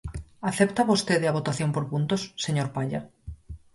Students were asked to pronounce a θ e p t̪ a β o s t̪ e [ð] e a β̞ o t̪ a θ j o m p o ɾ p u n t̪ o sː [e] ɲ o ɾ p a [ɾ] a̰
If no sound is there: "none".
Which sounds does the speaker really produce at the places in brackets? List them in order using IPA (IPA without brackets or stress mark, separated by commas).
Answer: ð, e, ʎ